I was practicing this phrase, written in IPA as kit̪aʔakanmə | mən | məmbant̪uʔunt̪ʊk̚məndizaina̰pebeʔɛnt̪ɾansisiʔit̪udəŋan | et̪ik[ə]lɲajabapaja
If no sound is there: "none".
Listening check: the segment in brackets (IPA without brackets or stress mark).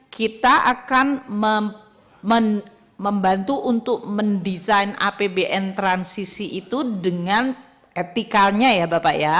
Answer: a